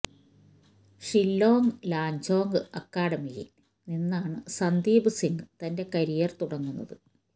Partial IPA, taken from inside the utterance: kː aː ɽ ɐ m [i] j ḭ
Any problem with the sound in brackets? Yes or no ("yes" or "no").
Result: no